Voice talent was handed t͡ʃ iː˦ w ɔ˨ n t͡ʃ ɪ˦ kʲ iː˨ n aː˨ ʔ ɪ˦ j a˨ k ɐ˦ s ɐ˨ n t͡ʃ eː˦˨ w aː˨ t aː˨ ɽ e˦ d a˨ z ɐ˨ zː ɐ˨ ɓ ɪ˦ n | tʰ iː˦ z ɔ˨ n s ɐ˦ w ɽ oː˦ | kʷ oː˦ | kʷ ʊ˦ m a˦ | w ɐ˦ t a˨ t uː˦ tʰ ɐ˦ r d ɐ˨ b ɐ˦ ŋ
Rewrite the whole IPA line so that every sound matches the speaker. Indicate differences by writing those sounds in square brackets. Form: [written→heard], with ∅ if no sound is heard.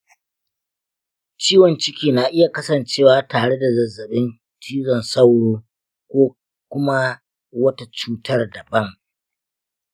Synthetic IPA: t͡ʃ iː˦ w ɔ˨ n t͡ʃ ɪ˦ kʲ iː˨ n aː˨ ʔ ɪ˦ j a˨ k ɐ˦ s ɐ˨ n t͡ʃ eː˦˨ w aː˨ t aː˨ ɽ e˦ d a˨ z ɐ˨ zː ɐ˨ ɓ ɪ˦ n | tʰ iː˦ z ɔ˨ n s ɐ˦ w ɽ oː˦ | kʷ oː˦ | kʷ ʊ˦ m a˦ | w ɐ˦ t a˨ [t→t͡ʃ] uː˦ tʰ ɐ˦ r d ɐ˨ b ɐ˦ ŋ